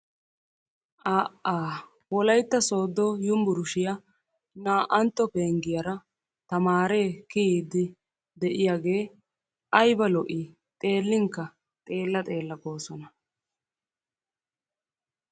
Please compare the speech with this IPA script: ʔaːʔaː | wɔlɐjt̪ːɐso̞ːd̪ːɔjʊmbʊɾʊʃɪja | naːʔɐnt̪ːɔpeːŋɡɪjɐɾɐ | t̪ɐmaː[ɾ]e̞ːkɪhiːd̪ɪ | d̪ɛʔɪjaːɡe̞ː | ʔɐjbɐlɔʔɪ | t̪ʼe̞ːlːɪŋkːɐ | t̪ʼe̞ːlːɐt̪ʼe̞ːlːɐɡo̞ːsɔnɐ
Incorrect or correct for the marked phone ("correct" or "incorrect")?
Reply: correct